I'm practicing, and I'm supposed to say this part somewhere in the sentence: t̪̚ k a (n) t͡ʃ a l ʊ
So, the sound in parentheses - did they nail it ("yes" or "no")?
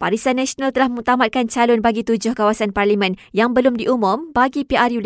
yes